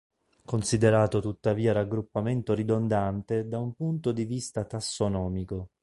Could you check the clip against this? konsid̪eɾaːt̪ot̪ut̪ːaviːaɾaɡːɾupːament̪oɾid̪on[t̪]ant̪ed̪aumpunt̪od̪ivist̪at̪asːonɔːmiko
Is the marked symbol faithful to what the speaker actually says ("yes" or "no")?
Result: no